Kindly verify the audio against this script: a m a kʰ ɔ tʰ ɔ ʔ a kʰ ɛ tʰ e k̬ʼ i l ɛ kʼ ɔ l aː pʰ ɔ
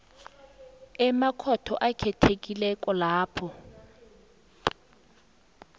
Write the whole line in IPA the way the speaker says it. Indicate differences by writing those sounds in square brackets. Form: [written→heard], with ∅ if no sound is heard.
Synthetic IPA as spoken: [a→ɛ] m a kʰ ɔ tʰ ɔ ʔ a kʰ ɛ tʰ e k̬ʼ i l ɛ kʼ ɔ l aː pʰ ɔ